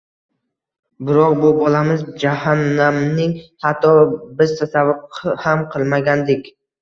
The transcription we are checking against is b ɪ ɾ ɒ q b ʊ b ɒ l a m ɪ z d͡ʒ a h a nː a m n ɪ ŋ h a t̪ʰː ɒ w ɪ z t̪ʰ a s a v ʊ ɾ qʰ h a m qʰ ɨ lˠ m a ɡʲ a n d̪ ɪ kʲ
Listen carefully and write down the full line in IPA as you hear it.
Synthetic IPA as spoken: b ɪ ɾ ɒ q b ʊ b ɒ l a m ɪ z d͡ʒ a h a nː a m n ɪ ŋ h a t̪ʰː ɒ b ɪ z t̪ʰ a s a v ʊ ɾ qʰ h a m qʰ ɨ lˠ m a ɡʲ a n d̪ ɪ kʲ